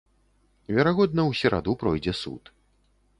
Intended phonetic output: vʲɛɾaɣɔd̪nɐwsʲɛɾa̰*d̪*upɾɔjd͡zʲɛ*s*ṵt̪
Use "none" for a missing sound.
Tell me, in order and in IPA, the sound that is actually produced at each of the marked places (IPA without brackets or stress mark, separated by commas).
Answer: d̪, s